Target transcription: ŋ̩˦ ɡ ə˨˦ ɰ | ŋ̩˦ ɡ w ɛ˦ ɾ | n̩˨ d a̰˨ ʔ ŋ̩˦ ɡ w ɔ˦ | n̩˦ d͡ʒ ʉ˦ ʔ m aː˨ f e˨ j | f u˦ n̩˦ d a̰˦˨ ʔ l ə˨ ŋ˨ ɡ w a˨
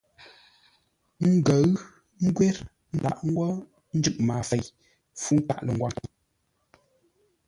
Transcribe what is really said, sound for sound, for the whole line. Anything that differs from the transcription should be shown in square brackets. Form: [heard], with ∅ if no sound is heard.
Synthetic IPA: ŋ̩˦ ɡ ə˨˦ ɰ | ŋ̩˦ ɡ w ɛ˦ ɾ | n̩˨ d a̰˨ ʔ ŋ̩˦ ɡ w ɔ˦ | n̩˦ d͡ʒ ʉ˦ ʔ m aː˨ f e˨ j | f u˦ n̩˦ [t] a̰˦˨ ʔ l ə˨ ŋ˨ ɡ w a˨